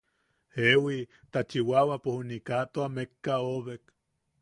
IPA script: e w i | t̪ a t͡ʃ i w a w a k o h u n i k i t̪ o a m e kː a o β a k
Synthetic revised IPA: e w i | t̪ a t͡ʃ i w a w a p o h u n i k a t̪ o a m e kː a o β e k